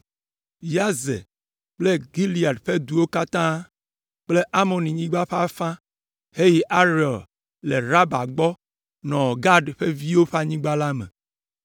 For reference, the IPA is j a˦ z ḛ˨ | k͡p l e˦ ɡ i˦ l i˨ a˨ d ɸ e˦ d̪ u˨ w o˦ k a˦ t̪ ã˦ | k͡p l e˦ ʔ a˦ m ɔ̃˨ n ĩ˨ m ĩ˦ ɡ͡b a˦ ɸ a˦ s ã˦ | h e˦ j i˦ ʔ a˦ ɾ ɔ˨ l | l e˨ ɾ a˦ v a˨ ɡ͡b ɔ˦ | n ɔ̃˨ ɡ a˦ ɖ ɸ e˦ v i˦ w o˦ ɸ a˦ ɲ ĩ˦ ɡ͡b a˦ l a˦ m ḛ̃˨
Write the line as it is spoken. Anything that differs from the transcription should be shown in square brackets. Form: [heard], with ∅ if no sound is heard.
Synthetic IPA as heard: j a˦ z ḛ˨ | k͡p l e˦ ɡ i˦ l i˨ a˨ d ɸ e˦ d̪ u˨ w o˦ k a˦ t̪ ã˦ | k͡p l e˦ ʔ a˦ m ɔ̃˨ n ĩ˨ [ɲ] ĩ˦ ɡ͡b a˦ ɸ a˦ [f] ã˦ | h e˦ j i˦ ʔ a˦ ɾ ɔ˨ l | l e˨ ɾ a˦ [b] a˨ ɡ͡b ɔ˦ | n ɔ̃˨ ɡ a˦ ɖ ɸ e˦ v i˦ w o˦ ɸ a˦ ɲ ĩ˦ ɡ͡b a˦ l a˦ m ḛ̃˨